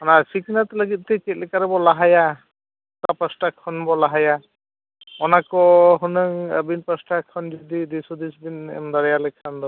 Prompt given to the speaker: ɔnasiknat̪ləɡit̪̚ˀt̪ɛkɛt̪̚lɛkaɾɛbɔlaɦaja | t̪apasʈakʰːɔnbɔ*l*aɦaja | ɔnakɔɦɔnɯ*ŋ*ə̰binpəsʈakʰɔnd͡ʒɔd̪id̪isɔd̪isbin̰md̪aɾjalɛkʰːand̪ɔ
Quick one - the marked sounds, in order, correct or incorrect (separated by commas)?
correct, correct